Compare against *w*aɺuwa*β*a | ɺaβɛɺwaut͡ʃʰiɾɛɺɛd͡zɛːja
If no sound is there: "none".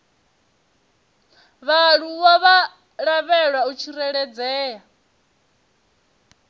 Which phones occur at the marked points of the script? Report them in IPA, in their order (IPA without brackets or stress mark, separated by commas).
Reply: β, β